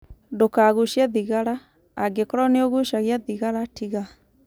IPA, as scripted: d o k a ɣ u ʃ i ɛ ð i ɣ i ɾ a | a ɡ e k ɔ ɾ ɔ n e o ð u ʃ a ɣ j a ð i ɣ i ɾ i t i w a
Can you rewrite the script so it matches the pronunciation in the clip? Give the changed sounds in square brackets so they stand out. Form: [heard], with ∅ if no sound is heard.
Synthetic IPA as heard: d o k a ɣ u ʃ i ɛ ð i ɣ [a] ɾ a | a ɡ e k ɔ ɾ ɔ n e o [ɣ] u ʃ a ɣ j a ð i ɣ [a] ɾ [a] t i [ɣ] a